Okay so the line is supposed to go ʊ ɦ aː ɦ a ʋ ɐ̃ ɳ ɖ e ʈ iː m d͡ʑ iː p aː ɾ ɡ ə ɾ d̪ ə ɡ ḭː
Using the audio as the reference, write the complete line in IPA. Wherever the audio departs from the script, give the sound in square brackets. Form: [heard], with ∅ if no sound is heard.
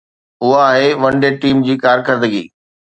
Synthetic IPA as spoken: ʊ ɦ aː ɦ [e] ʋ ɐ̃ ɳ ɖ e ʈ iː m d͡ʑ iː [k] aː ɾ [k] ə ɾ d̪ ə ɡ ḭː